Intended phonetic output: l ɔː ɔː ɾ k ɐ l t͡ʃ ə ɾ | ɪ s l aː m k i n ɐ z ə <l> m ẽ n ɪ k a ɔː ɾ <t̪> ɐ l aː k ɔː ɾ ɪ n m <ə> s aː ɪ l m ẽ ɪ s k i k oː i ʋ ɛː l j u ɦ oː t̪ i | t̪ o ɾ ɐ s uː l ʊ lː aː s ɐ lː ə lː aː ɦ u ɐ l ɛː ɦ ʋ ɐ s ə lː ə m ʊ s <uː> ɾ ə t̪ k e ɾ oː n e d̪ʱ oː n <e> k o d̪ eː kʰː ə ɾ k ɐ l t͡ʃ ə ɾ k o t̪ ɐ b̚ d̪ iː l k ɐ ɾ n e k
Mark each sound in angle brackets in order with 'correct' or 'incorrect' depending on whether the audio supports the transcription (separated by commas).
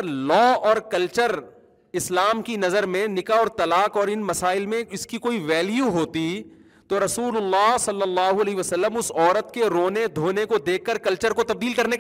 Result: incorrect, correct, incorrect, incorrect, correct